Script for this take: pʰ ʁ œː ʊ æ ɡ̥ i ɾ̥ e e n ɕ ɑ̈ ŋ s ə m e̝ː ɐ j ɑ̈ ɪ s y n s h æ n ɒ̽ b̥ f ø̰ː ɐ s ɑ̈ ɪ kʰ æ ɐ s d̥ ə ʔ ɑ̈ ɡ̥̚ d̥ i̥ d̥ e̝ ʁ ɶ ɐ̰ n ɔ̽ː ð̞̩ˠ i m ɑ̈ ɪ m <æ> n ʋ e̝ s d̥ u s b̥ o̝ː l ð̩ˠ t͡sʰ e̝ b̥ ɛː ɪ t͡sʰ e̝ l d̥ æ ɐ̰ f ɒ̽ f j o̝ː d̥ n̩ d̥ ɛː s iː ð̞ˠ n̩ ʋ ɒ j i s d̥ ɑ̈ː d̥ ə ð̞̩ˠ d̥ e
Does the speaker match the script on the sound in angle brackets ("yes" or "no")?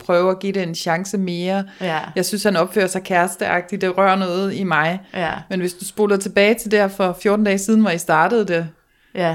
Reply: no